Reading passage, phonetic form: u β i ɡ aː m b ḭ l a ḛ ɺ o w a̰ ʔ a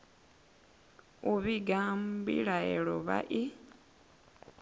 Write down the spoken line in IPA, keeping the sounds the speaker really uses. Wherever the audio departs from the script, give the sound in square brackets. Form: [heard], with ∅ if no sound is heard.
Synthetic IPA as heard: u β i ɡ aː m b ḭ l a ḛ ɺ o [β] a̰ ʔ [i]